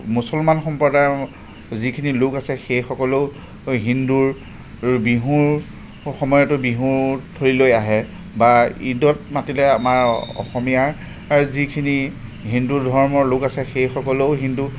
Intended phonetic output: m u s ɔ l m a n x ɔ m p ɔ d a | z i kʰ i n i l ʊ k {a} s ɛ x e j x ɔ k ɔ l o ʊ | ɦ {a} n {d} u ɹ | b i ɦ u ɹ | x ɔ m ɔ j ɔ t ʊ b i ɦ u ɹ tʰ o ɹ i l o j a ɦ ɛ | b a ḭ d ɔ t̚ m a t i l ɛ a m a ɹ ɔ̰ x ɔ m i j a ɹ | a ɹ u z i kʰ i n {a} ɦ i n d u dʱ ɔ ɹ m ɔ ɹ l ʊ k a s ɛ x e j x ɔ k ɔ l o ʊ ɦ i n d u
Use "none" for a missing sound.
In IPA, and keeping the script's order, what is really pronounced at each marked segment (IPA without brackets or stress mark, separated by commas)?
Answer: a, i, d, i